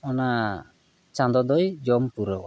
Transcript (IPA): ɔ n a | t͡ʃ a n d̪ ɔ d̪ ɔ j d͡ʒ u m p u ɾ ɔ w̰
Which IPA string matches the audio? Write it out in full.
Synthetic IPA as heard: ɔ n a | t͡ʃ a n d̪ ɔ d̪ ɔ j d͡ʒ ɔ m p u ɾ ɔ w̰